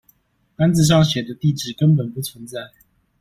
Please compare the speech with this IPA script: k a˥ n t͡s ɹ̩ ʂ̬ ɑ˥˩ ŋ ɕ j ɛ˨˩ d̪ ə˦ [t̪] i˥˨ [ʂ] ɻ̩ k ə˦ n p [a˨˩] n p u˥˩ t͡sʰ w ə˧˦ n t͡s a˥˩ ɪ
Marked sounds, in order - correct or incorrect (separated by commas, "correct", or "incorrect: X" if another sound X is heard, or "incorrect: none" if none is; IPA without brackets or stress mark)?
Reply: correct, incorrect: ʈ͡ʂ, incorrect: ə˨˩